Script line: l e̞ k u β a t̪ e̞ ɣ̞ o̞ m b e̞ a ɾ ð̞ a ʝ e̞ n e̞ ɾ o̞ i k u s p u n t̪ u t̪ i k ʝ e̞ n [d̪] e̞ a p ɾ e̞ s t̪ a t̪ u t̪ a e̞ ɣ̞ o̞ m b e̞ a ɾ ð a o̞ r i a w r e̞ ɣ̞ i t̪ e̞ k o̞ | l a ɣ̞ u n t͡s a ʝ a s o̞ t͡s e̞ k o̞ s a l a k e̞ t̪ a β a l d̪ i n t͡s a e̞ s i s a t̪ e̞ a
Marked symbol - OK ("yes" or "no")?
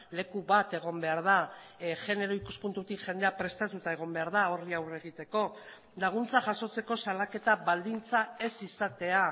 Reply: yes